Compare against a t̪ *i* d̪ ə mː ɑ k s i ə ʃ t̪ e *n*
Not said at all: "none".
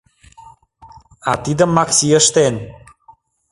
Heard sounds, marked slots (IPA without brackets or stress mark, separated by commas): i, n